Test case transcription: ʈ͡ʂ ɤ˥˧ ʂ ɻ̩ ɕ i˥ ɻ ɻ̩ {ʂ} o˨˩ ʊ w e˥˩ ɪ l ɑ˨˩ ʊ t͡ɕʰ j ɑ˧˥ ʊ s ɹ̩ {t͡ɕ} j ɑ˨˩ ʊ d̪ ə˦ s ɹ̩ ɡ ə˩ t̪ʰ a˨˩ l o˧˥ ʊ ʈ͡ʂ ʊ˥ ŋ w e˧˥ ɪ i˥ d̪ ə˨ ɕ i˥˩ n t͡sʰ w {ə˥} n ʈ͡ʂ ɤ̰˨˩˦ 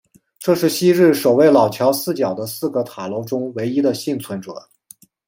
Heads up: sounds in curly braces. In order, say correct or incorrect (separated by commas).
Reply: correct, correct, incorrect